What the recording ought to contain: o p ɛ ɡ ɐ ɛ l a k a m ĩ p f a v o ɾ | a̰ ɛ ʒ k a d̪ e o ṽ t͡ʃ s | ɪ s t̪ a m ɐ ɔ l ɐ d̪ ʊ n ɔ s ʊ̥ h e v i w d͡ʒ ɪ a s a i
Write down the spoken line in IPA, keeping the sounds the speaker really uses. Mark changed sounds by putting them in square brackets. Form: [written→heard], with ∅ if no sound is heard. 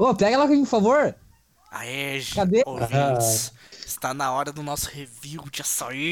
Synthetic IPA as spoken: o p ɛ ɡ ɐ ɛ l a k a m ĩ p f a v o ɾ | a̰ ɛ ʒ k a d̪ e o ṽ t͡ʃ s | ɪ s t̪ a [m→n] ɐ ɔ [l→ɾ] ɐ d̪ ʊ n ɔ s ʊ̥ h e v i w d͡ʒ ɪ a s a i